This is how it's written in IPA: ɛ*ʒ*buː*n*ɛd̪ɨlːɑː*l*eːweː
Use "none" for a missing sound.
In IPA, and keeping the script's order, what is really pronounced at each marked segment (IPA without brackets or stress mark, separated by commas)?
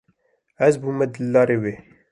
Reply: z, m, ɾ